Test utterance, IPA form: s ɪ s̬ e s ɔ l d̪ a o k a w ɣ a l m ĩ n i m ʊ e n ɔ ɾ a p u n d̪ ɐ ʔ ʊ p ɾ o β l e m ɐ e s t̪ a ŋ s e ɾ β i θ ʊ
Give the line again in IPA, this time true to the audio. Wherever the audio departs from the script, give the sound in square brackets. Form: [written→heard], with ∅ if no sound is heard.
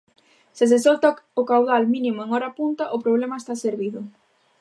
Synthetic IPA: s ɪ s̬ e s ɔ l [d̪→t̪] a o k a w [ɣ→ð] a l m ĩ n i m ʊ e [n→ŋ] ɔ ɾ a p u n [d̪→t̪] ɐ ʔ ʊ p ɾ o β l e m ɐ e s t̪ a [ŋ→∅] s e ɾ β i [θ→ð] ʊ